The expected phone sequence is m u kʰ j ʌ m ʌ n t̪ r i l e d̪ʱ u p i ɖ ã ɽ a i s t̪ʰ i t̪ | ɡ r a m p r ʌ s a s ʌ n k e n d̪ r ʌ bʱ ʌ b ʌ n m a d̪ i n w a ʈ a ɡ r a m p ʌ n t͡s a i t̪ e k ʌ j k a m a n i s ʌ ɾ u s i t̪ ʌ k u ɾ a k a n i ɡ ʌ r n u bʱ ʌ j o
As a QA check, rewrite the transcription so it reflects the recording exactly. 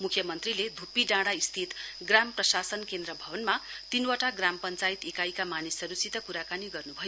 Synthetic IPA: m u kʰ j ʌ m ʌ n t̪ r i l e d̪ʱ u p i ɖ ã ɽ a i s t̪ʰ i t̪ | ɡ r a m p r ʌ s a s ʌ n k e n d̪ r ʌ bʱ ʌ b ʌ n m a t̪ i n w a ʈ a ɡ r a m p ʌ n t͡s a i t̪ e k a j k a m a n i s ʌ ɾ u s i t̪ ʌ k u ɾ a k a n i ɡ ʌ r n u bʱ ʌ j o